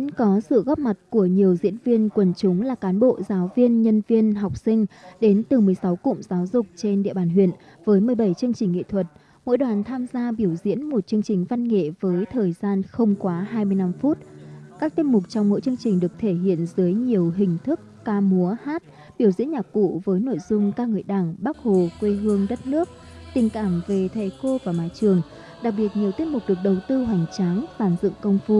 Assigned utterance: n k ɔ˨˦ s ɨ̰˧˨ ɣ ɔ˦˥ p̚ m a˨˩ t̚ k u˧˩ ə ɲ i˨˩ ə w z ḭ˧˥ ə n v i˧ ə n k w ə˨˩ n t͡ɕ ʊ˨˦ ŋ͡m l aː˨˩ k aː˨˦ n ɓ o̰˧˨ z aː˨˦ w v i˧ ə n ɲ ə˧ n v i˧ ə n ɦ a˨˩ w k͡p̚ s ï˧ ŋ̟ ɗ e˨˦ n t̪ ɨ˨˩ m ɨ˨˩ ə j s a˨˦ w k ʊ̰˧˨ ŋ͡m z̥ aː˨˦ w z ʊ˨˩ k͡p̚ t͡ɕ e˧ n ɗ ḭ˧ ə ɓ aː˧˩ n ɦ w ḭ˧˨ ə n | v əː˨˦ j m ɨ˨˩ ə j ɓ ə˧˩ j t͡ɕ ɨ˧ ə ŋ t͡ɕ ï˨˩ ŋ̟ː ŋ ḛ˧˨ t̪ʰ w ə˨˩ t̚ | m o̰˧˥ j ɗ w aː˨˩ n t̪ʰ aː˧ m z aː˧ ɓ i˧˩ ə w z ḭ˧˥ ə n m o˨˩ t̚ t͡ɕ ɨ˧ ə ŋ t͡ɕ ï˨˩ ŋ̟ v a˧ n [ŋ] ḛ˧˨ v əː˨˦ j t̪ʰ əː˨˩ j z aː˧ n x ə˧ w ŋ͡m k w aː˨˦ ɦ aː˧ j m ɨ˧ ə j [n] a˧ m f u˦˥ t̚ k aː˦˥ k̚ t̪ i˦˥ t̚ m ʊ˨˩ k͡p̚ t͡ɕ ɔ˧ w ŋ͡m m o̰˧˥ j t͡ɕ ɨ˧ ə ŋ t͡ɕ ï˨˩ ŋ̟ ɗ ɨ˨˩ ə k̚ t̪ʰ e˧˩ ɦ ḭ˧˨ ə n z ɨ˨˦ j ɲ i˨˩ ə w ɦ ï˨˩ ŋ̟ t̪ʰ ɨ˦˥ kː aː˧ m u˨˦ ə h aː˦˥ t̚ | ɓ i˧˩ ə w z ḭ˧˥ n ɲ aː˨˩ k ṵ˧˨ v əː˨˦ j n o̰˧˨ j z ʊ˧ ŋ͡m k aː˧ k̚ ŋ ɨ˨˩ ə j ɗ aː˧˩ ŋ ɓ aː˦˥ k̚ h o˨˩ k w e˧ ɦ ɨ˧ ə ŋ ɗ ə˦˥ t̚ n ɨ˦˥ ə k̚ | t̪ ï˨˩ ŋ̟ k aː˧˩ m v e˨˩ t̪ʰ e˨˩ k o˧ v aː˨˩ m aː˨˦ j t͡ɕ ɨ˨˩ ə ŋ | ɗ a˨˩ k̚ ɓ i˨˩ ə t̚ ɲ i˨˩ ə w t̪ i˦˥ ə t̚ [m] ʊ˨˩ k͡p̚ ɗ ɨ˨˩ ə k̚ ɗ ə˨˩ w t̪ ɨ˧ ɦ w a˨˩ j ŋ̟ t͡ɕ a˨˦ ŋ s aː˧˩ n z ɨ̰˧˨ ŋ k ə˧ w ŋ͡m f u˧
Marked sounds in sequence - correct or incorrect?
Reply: correct, correct, correct

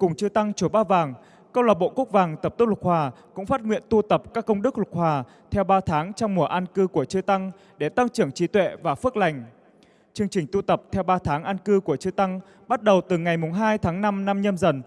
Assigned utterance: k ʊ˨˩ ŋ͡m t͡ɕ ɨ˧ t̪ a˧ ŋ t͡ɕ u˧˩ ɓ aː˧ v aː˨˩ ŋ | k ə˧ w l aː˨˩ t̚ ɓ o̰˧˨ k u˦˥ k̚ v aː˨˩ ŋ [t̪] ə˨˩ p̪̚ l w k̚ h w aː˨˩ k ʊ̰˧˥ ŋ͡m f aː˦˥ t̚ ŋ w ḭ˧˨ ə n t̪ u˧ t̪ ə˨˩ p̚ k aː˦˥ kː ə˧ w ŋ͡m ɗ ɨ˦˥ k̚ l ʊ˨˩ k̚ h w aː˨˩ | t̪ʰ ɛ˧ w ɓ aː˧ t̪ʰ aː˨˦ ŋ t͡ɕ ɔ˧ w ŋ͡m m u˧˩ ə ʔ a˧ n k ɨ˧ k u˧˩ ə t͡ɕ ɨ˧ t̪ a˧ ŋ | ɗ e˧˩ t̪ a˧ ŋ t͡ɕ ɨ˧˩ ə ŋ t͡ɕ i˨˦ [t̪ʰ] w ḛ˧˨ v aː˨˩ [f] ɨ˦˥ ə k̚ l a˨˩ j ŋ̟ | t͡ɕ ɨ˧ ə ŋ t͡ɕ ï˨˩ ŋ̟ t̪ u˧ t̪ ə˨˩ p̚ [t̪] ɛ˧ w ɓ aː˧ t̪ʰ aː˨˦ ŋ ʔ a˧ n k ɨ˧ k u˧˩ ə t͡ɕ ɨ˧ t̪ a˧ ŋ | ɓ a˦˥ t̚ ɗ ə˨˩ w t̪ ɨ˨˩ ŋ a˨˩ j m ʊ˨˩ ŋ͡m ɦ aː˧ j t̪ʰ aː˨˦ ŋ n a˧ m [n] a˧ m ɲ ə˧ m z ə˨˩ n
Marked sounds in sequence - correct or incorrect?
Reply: correct, incorrect: t̪, correct, incorrect: t̪ʰ, correct

